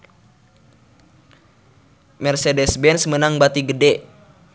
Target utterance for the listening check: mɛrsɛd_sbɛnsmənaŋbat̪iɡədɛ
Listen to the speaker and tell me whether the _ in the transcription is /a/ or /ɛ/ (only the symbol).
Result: ɛ